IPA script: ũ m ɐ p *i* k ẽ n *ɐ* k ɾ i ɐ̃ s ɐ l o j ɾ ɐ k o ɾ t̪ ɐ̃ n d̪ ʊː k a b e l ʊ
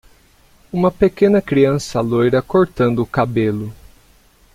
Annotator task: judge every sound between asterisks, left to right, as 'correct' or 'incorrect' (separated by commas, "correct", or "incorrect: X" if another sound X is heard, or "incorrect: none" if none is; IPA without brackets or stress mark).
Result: incorrect: e, correct